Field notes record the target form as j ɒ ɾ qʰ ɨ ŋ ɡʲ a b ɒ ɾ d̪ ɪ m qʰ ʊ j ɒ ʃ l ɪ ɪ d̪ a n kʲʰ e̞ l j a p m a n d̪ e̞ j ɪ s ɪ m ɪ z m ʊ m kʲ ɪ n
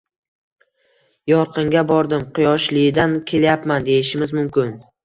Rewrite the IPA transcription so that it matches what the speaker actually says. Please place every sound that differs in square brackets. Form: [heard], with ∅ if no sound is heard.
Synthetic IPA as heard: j ɒ ɾ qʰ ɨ ŋ ɡʲ a b ɒ ɾ d̪ ɪ m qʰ ʊ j ɒ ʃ l ɪ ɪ d̪ a n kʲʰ e̞ l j a p m a n d̪ e̞ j ɪ [ʃ] ɪ m ɪ z m ʊ m kʲ ɪ n